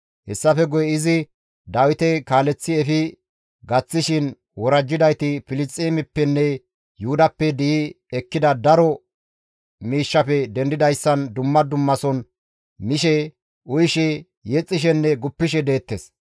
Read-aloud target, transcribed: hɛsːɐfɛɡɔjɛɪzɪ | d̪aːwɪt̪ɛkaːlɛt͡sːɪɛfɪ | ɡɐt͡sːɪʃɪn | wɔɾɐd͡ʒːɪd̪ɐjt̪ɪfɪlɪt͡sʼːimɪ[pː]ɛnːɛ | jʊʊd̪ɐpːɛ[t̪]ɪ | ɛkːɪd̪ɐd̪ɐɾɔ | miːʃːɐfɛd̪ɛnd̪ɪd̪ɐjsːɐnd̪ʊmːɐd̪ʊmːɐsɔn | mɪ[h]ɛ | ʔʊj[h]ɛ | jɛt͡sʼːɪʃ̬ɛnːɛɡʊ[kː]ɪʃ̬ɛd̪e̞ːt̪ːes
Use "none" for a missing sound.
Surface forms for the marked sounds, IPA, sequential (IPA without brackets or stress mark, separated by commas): pː, d̪, ʃ, ʃ, pː